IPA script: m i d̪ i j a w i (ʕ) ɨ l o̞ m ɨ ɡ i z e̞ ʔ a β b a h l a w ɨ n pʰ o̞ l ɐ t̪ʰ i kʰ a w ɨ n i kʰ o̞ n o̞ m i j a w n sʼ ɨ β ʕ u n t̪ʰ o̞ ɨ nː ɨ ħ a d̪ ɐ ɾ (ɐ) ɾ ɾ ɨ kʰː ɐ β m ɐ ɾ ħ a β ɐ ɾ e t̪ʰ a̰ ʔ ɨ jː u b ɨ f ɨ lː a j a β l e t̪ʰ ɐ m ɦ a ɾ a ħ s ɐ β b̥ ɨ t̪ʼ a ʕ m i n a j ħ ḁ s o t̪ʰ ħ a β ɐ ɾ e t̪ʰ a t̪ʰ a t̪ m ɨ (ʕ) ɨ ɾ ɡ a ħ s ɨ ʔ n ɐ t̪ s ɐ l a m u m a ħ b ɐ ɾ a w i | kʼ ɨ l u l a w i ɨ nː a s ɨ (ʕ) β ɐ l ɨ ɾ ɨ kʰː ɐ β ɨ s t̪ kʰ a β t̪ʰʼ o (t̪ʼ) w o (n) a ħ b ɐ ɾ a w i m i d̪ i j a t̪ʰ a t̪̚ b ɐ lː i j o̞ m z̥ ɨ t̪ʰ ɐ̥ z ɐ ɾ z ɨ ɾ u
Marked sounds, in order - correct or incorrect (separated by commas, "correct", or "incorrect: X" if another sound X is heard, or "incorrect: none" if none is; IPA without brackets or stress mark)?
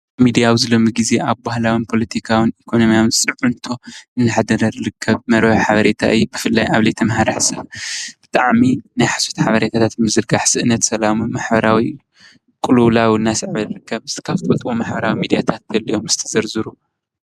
incorrect: z, correct, incorrect: z, correct, correct, incorrect: m